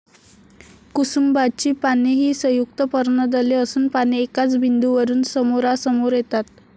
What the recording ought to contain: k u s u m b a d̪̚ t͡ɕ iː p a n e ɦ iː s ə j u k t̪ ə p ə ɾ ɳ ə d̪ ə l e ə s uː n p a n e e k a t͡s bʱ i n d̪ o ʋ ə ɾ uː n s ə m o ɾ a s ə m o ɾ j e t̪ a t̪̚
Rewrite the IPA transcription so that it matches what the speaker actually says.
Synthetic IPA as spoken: k u s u m b a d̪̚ t͡ɕ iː p a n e ɦ iː s ə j u k t̪ ə p ə ɾ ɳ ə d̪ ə l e ə s uː n p a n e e k a t͡s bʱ i n d̪ u ʋ ə ɾ uː n s ə m o ɾ a s ə m o ɾ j e t̪ a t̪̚